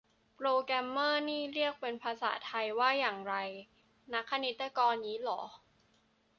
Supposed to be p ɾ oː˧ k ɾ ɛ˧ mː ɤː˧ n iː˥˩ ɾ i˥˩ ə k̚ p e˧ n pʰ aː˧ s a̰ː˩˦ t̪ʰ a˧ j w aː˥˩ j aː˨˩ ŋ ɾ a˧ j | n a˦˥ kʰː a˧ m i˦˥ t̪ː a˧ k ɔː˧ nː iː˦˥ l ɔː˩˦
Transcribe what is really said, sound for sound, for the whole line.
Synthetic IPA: p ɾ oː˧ k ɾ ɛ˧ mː ɤː˥˩ n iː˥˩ ɾ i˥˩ ə k̚ p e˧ n pʰ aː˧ s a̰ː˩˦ t̪ʰ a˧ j w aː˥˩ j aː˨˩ ŋ ɾ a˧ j | n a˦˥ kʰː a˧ n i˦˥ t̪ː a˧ k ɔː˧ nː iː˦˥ l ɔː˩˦

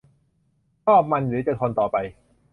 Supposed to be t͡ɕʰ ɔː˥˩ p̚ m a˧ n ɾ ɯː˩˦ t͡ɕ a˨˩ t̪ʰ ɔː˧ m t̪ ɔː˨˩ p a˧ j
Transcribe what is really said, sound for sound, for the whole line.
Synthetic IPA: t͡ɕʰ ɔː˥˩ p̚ m a˧ n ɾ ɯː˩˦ t͡ɕ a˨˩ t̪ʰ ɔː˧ n t̪ ɔː˨˩ p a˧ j

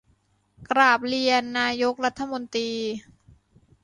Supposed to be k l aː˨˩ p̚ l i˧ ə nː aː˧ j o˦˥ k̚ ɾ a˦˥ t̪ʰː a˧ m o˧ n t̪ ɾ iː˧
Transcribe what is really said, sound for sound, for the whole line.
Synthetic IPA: k ɾ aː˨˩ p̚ l i˧ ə nː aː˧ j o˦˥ k̚ ɾ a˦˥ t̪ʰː a˧ m o˧ n t̪ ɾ iː˧

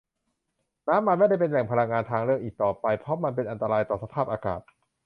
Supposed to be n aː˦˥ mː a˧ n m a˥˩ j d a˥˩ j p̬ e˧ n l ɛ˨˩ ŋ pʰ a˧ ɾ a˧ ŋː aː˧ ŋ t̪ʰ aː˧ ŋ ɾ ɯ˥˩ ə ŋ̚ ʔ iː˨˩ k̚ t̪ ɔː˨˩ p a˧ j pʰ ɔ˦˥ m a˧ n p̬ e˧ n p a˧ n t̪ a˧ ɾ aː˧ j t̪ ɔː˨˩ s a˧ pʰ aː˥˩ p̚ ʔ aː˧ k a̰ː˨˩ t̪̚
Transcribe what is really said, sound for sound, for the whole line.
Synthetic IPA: n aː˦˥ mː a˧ n m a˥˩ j d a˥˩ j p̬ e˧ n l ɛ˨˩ ŋ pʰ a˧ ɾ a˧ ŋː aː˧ n t̪ʰ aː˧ ŋ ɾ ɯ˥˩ ə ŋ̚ ʔ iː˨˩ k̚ t̪ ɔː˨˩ p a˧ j pʰ ɔ˦˥ m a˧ n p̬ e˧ n ʔ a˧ n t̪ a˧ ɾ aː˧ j t̪ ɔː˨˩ s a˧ pʰ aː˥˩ p̚ ʔ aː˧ k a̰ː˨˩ t̪̚

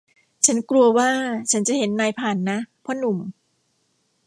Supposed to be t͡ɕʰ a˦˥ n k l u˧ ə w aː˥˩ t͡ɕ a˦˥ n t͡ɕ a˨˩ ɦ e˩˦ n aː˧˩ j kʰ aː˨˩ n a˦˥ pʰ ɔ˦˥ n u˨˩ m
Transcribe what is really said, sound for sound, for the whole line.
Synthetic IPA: t͡ɕʰ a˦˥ n k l u˧ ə w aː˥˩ t͡ɕʰ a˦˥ n t͡ɕ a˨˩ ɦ e˩˦ nː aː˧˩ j pʰ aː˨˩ nː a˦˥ pʰ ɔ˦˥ n u˨˩ m

